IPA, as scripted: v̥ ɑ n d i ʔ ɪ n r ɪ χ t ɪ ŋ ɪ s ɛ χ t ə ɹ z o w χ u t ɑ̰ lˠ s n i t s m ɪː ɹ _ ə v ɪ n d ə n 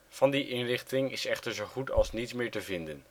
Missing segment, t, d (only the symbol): t